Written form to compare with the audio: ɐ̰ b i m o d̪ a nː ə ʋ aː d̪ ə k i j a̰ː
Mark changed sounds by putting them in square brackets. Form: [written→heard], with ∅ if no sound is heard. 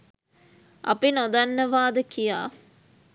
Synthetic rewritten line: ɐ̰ [b→p] i [m→n] o d̪ a nː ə ʋ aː d̪ ə k i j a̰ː